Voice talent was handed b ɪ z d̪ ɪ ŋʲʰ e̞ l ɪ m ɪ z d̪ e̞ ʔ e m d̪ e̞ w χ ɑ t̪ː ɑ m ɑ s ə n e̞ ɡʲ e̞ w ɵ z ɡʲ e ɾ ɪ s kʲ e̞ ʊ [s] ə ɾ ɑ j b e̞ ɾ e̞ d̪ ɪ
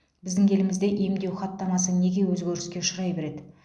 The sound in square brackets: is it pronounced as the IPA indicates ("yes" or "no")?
no